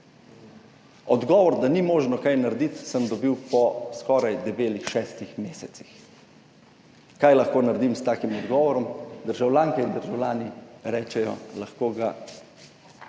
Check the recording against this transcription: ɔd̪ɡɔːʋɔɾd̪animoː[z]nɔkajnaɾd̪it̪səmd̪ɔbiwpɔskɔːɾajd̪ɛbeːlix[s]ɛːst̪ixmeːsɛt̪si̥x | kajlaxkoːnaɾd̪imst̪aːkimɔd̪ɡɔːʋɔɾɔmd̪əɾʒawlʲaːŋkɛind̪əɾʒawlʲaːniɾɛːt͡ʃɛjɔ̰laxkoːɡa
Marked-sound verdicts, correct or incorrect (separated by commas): incorrect, incorrect